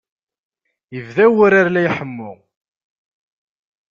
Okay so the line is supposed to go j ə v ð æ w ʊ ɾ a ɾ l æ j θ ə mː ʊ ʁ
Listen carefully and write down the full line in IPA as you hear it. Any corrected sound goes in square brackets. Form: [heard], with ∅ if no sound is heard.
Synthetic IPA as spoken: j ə v ð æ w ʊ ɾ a ɾ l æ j [ħ] ə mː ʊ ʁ